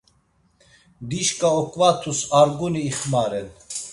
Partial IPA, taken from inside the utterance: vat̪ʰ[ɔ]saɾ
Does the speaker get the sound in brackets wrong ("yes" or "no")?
yes